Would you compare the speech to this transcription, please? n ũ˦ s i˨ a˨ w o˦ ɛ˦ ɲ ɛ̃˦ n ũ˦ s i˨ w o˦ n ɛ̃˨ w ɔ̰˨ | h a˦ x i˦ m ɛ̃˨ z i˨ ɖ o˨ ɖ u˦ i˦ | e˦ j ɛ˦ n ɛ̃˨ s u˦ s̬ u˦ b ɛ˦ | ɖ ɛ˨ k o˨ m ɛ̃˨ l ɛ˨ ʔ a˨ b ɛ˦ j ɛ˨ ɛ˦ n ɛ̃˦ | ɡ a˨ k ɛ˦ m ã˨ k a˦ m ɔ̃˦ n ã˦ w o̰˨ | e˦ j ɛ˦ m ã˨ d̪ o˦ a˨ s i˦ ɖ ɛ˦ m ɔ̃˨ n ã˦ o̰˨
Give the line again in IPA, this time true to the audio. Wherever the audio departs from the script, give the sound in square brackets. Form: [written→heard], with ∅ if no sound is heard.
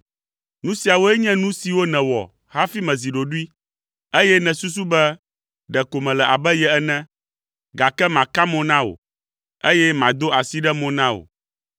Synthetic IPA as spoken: n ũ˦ s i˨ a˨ w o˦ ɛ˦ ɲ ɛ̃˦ n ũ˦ s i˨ w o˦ n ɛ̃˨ w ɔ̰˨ | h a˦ [x→f] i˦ m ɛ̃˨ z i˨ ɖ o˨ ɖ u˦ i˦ | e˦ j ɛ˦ n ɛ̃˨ s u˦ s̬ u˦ b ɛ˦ | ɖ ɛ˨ k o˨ m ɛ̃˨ l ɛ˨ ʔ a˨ b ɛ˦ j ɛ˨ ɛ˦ n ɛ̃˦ | ɡ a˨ k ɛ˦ m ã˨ k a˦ m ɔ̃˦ n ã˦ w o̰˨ | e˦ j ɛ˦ m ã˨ d̪ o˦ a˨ s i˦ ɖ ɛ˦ m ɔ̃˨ n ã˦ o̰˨